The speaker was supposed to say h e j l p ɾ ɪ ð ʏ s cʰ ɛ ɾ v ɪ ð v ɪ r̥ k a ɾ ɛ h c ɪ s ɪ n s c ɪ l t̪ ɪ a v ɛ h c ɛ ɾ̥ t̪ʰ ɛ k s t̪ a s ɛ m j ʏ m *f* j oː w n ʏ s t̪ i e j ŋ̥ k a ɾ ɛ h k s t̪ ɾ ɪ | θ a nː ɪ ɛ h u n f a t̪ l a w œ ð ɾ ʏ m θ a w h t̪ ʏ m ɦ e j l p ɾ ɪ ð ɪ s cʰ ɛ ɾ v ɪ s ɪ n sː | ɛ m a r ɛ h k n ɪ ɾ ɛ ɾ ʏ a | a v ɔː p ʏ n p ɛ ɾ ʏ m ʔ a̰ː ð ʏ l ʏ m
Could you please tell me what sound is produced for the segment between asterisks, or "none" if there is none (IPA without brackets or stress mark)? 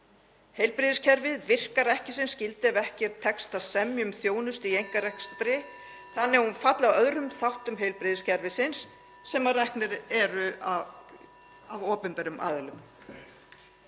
θ